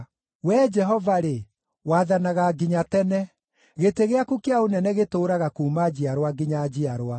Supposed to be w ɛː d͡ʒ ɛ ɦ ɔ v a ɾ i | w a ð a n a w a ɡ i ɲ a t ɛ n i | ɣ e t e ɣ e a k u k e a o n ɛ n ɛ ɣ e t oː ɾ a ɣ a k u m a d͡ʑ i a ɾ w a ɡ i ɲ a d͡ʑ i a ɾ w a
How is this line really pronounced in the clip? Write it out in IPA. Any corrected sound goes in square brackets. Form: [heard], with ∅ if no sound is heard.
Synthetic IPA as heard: w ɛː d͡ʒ ɛ ɦ ɔ v a ɾ [e] | w a ð a n a [ɣ] a ɡ i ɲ a t ɛ n [ɛ] | ɣ e t e ɣ e a k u k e a o n ɛ n ɛ ɣ e t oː ɾ a ɣ a k u m a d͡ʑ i a ɾ w a ɡ i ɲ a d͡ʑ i a ɾ w a

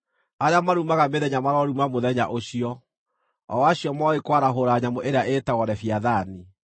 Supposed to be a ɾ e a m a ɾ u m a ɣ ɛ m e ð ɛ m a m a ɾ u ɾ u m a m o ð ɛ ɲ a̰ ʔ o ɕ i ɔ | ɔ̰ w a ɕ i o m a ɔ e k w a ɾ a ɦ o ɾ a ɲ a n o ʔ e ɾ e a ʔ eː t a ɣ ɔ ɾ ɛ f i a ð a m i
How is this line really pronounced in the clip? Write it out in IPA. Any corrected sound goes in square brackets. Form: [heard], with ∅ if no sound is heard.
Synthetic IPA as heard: a ɾ e a m a ɾ u m a ɣ [a] m e ð ɛ [ɲ] a m a ɾ [ɔ] ɾ u m a m o ð ɛ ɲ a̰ ʔ o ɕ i ɔ | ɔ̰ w a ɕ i [ɔ] m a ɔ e k w a ɾ a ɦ o ɾ a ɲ a [m] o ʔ e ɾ e a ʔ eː t a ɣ ɔ ɾ ɛ f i a ð a [n] i

